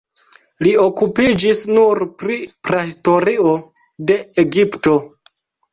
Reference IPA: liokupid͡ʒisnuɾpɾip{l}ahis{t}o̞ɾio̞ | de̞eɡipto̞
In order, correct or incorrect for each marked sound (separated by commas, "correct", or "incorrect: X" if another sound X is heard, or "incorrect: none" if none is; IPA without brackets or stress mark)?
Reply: incorrect: ɾ, correct